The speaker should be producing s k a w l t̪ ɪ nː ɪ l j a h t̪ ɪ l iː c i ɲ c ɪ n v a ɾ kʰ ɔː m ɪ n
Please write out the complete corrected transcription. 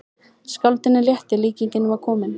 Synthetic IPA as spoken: s k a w l t̪ ɪ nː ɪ l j ɛ h t̪ ɪ l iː c i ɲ c ɪ n v a ɾ kʰ ɔː m ɪ n